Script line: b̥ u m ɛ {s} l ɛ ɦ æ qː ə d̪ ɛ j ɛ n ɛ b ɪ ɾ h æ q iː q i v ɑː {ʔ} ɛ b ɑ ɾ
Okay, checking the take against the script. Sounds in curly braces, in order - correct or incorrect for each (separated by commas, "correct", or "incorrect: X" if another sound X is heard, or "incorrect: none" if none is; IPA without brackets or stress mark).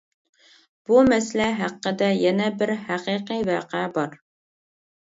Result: correct, incorrect: q